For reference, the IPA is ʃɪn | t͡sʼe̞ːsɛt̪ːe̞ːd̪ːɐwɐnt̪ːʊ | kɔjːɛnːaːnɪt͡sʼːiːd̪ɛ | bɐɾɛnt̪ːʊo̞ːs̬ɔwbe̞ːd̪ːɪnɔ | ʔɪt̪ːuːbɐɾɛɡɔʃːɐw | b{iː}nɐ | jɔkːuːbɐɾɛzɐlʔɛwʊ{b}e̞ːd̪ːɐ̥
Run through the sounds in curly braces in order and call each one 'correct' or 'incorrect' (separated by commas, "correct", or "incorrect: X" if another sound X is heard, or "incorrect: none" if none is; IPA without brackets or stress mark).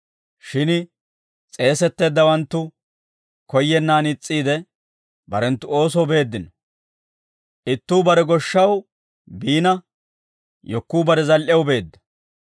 correct, correct